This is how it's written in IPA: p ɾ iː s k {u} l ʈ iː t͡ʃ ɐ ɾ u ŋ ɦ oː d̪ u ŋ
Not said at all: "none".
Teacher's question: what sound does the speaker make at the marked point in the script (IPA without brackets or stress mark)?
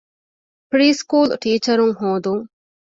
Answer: uː